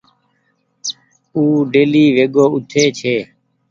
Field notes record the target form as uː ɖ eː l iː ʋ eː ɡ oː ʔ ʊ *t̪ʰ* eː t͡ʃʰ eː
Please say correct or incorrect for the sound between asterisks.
correct